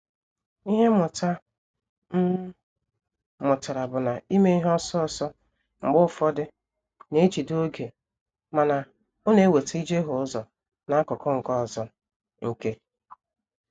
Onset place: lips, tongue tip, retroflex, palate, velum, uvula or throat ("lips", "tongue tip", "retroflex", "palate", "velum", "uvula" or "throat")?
throat